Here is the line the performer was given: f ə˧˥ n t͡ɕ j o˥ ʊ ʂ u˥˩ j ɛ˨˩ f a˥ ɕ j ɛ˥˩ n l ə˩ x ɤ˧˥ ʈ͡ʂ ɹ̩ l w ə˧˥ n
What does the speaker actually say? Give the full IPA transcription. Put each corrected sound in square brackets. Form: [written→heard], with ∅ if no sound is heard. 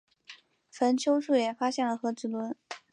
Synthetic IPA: f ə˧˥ n [t͡ɕ→t͡ɕʰ] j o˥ ʊ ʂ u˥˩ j ɛ˨˩ f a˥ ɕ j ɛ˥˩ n l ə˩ x ɤ˧˥ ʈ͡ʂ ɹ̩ l w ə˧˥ n